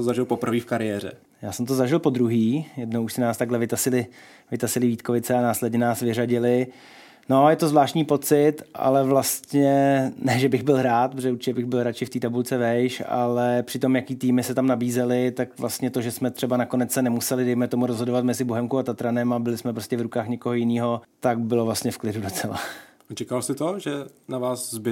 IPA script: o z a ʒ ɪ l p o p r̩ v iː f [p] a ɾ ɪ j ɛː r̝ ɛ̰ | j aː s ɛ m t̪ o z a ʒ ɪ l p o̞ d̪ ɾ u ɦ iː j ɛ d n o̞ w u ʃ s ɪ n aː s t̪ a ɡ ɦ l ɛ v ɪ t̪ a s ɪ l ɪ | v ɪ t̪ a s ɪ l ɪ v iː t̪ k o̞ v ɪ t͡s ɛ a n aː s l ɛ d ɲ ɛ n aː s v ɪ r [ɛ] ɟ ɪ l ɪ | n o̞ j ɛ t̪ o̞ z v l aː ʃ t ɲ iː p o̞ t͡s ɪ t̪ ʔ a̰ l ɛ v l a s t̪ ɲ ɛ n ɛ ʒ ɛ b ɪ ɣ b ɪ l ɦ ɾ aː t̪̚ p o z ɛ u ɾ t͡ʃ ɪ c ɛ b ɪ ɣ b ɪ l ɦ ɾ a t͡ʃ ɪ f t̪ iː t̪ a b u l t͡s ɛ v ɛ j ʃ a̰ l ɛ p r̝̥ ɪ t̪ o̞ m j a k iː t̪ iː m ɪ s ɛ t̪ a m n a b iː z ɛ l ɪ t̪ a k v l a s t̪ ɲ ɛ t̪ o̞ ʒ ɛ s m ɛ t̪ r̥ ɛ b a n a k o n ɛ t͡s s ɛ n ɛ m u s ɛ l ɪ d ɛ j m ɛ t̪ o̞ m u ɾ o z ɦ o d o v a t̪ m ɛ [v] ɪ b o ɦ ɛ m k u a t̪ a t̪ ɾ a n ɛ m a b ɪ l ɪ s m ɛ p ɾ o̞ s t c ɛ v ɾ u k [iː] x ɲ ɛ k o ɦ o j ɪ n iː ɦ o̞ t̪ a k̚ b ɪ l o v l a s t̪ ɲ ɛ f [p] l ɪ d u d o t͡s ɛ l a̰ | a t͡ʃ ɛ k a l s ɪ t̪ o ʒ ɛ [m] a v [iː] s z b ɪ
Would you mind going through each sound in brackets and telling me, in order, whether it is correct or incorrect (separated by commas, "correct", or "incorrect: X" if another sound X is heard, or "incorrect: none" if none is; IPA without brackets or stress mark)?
incorrect: k, incorrect: a, incorrect: z, incorrect: aː, incorrect: k, incorrect: n, incorrect: aː